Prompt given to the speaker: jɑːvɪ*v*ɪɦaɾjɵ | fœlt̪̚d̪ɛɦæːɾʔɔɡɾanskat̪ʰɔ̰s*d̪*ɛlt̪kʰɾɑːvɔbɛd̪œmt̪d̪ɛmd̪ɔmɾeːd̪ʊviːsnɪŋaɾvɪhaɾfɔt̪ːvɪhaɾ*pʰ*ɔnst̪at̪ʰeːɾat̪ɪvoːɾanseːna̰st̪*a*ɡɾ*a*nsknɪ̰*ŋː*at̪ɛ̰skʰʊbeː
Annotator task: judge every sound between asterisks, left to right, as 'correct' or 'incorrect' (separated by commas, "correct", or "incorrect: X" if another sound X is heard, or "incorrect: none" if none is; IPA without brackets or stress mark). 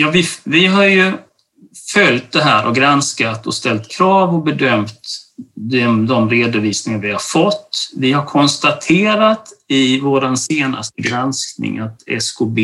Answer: correct, incorrect: t̪, incorrect: kʰ, incorrect: ə, correct, incorrect: ŋ